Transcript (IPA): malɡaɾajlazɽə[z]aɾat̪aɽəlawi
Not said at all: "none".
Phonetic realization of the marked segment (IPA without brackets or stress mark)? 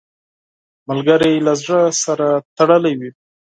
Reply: s